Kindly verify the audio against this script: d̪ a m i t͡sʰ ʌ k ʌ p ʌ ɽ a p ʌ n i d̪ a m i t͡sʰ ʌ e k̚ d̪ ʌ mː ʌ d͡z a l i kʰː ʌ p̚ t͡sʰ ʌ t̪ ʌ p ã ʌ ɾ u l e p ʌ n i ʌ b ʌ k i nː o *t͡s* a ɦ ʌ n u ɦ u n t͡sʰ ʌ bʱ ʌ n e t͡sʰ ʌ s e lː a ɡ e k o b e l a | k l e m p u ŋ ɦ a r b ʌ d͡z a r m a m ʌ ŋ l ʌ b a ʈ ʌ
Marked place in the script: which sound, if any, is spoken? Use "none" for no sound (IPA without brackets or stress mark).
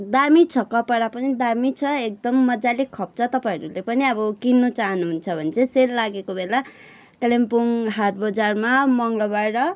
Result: t͡s